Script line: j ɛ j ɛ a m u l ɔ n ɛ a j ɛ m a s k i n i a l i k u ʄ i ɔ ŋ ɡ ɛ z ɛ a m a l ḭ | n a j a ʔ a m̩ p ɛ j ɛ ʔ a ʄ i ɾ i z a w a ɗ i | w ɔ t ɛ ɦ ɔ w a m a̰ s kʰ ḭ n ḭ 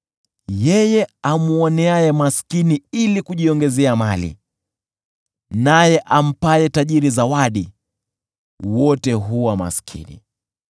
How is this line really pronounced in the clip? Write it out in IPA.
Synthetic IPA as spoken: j ɛ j ɛ a m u ɔ n ɛ a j ɛ m a s k i n i i l i k u ʄ i ɔ ŋ ɡ ɛ z ɛ a m a l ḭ | n a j ɛ ʔ a m̩ p a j ɛ t a ʄ i ɾ i z a w a ɗ i | w ɔ t ɛ ɦ u w a m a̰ s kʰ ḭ n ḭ